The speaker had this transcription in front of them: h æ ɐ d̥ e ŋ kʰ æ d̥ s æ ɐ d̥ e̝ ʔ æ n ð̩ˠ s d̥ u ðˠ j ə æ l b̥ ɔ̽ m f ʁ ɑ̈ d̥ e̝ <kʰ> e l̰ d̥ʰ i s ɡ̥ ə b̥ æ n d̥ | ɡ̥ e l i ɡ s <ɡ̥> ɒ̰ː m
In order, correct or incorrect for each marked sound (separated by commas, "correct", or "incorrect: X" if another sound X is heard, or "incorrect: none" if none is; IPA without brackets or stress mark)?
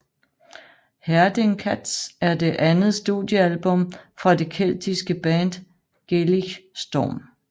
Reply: correct, incorrect: d̥